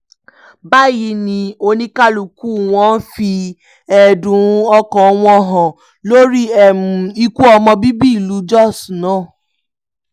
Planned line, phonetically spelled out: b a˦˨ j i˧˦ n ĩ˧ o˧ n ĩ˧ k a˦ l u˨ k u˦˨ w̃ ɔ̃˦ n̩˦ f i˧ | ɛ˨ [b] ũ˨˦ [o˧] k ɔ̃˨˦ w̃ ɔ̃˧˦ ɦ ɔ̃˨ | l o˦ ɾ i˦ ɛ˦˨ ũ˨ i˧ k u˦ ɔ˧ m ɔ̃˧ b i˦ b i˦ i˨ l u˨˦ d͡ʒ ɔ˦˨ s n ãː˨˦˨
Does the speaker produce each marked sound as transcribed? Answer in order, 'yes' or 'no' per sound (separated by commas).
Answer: no, no